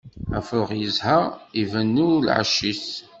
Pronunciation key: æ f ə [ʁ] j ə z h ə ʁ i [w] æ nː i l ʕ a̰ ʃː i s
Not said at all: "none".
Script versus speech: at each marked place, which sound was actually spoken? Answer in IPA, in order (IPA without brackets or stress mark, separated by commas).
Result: ʁ, v